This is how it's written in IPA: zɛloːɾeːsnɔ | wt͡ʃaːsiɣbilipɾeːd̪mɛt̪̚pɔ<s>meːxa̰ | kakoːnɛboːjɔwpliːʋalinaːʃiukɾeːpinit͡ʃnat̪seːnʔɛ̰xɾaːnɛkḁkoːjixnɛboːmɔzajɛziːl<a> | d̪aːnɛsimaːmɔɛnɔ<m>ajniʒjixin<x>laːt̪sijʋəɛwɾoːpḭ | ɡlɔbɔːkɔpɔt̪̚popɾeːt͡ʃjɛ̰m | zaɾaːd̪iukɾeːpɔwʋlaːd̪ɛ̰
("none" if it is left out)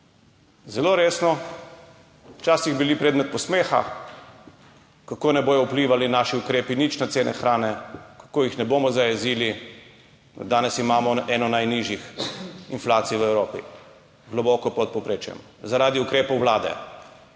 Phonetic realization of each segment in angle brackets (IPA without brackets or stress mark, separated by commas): s, i, n, f